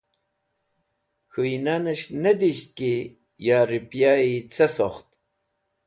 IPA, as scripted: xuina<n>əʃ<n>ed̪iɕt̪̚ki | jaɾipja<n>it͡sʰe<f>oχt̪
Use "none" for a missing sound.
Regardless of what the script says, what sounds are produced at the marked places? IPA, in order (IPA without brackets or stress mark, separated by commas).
n, n, none, s